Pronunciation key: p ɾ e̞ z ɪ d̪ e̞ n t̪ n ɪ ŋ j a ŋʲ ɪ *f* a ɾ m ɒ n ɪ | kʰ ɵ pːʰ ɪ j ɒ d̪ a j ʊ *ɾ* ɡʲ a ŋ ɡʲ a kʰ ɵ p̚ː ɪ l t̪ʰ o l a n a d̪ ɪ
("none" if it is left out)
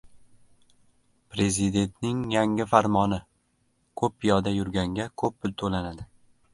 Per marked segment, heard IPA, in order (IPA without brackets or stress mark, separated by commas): f, ɾ